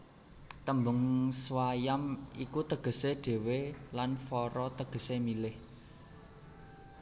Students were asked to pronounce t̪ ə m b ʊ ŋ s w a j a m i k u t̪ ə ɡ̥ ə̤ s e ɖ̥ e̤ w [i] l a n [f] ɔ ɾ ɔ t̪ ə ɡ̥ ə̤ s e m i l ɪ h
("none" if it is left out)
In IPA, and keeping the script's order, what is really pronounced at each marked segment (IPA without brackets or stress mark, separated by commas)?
e, f